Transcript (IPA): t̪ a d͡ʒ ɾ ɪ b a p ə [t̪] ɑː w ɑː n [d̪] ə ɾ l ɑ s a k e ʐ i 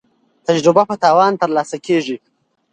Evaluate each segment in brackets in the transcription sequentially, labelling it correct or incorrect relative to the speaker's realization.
correct, incorrect

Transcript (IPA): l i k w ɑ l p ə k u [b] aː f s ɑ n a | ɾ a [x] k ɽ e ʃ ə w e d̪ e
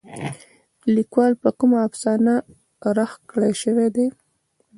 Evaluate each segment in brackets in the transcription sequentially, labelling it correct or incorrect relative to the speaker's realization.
incorrect, correct

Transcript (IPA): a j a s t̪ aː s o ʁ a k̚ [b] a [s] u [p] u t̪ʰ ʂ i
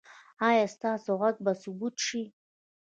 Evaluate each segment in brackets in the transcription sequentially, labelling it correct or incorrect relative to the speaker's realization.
correct, correct, incorrect

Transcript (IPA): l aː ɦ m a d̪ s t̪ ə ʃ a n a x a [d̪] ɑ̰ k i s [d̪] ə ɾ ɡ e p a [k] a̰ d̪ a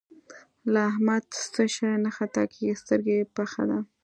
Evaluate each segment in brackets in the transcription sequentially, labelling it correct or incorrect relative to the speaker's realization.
incorrect, incorrect, incorrect

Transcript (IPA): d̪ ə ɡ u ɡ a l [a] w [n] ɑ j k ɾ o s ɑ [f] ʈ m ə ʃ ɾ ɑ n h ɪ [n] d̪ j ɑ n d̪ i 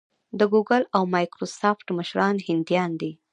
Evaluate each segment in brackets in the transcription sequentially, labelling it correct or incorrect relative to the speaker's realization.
correct, incorrect, correct, correct

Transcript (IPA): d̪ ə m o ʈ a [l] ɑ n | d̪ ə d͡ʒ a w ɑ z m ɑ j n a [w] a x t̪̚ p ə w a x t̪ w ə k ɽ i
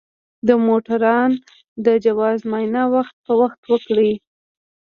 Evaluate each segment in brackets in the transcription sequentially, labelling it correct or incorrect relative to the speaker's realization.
incorrect, correct

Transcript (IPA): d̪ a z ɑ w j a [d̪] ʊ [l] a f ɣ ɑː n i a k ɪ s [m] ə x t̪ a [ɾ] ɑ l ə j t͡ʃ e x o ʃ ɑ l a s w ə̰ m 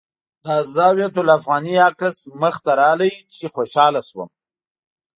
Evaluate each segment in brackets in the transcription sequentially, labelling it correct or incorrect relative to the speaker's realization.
incorrect, correct, correct, correct

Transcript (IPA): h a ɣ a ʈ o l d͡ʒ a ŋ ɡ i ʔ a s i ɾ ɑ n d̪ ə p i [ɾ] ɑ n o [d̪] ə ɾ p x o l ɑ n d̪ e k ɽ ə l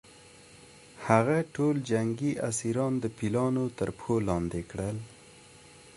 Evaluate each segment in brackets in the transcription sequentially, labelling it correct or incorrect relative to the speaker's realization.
incorrect, incorrect

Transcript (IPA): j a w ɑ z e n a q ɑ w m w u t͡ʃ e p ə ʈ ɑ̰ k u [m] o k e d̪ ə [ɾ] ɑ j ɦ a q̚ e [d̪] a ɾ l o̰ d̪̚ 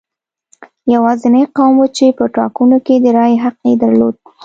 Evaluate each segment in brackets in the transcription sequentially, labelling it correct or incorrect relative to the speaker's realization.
incorrect, correct, correct

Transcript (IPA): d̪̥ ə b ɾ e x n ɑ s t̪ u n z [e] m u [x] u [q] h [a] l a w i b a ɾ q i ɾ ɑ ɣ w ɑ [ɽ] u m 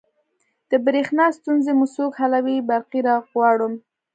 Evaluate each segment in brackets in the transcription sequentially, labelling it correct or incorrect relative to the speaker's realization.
correct, incorrect, incorrect, correct, correct

